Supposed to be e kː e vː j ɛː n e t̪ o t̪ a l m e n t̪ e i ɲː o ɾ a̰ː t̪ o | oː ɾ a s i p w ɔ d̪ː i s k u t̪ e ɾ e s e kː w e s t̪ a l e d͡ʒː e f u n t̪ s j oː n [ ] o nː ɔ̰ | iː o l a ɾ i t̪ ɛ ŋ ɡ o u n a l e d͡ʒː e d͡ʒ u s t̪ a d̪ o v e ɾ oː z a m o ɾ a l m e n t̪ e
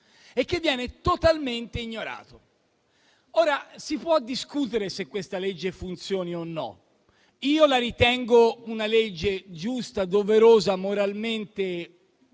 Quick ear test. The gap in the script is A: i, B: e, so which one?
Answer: A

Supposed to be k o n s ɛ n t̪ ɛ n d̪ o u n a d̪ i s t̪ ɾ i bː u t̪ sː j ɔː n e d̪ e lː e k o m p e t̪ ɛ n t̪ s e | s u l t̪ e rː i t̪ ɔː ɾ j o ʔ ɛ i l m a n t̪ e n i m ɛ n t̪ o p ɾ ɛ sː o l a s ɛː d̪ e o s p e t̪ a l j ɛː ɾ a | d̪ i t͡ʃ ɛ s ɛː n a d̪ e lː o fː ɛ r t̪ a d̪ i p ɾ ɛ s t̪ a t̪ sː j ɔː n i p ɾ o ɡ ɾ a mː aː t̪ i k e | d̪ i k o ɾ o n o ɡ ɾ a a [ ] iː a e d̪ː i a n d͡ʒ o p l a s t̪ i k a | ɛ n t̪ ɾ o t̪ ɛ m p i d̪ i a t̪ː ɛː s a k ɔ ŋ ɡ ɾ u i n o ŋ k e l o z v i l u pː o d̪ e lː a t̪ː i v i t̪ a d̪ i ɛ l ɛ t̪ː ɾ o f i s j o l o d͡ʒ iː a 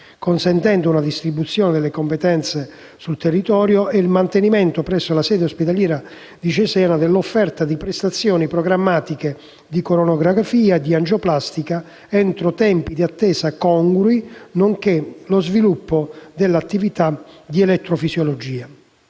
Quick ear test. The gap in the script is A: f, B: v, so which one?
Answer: A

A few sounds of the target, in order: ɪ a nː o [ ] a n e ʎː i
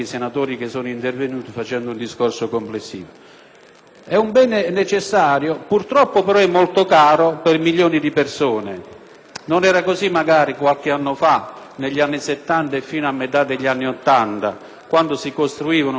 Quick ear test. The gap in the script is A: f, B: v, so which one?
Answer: A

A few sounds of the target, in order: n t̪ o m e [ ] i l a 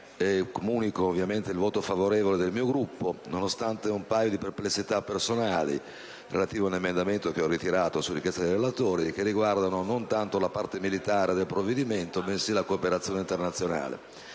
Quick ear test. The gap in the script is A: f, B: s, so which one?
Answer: B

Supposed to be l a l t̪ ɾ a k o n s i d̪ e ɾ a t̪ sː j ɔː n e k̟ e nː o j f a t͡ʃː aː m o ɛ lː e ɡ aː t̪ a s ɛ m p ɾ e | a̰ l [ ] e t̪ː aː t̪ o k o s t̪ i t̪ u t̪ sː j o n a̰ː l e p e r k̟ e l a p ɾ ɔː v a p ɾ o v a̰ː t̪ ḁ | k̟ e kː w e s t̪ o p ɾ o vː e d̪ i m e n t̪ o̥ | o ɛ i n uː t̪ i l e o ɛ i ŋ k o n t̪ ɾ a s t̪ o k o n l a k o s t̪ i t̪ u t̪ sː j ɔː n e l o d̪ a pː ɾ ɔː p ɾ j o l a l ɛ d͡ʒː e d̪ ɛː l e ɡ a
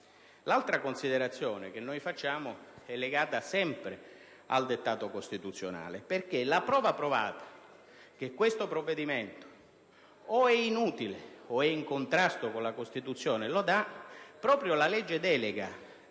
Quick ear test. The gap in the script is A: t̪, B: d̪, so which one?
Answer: B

